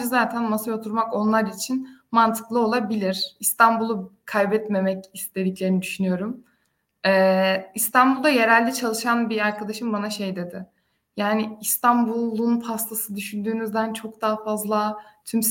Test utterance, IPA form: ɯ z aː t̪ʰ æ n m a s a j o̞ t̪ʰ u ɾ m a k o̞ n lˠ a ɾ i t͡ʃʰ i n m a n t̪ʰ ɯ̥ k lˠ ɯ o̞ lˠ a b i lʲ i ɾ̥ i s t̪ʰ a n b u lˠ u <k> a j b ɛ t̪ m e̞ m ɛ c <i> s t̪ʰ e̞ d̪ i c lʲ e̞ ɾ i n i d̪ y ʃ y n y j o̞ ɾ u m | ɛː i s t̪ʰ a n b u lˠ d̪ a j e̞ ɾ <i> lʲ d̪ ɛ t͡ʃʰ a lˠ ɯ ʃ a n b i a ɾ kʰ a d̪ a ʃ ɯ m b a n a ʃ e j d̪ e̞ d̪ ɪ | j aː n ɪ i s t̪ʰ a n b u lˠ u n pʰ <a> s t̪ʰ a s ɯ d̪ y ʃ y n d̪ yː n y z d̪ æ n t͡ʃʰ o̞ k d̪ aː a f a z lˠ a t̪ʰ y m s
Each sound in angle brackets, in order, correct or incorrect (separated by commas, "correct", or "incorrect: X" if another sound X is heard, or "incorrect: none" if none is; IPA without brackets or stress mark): incorrect: kʰ, correct, incorrect: æ, correct